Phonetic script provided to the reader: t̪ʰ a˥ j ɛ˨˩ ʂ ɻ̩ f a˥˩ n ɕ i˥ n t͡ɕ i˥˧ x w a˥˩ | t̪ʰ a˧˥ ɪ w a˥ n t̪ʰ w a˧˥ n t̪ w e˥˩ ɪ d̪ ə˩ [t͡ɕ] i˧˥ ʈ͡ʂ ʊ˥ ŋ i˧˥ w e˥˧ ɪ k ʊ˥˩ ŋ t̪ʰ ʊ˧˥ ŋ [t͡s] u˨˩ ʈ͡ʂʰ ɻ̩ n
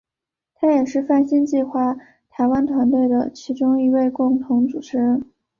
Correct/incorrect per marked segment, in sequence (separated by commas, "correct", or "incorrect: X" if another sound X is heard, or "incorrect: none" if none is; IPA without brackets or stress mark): incorrect: t͡ɕʰ, correct